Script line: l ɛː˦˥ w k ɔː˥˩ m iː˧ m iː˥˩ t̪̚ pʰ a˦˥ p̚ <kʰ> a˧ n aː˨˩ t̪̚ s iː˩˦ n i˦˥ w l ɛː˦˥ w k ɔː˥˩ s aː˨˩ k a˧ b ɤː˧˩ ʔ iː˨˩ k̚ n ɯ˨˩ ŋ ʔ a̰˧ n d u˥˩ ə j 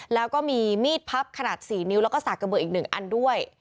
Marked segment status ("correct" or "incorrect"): correct